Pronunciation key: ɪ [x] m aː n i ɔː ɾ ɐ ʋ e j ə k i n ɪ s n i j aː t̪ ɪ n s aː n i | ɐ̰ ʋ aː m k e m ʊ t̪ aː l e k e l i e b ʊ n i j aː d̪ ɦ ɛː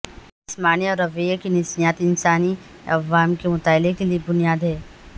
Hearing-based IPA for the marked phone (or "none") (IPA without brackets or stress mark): s